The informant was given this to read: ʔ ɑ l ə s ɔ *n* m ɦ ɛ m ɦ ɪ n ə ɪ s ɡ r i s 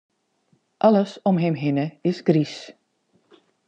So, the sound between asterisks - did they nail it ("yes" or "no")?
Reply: no